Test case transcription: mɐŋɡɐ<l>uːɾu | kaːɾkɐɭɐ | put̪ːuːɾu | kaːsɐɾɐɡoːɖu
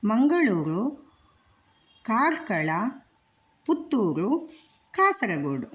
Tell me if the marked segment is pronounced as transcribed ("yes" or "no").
no